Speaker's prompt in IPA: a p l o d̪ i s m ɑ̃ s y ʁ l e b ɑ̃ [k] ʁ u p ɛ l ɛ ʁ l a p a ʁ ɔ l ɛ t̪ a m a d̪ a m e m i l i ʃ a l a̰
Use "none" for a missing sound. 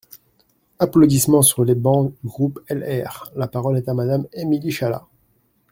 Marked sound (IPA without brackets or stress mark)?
ɡ